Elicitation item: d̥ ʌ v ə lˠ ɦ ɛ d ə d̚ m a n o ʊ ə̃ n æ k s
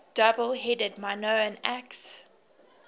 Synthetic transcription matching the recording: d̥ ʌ b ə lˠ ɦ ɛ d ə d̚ m a n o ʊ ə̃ n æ k s